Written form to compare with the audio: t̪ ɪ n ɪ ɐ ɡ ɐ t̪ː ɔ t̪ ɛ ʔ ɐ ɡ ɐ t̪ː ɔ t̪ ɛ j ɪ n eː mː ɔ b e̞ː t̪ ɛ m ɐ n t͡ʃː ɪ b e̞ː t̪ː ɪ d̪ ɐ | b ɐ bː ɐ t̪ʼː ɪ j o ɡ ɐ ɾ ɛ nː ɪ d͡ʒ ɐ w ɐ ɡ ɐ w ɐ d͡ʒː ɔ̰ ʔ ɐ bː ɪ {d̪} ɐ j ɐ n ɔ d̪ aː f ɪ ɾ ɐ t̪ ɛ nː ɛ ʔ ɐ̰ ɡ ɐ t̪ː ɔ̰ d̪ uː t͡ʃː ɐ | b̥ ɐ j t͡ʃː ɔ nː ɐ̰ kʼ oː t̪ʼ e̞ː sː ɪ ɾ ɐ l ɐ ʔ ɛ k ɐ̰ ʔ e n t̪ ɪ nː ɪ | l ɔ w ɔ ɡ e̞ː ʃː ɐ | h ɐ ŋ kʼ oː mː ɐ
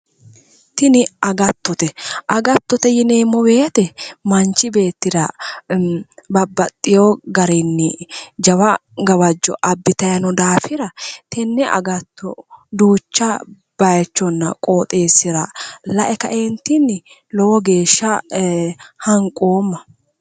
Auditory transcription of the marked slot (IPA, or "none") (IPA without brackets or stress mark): t̪